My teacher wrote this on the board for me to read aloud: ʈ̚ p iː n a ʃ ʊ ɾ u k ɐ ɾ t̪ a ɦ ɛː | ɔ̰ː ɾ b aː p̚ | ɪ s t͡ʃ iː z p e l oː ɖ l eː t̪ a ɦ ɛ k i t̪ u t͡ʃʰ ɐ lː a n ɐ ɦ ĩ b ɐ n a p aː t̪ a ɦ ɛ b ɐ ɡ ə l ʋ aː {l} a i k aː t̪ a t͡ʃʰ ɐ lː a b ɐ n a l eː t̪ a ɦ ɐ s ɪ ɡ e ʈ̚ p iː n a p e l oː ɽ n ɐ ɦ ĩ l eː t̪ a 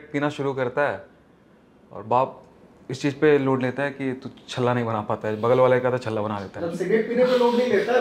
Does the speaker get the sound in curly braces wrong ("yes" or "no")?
no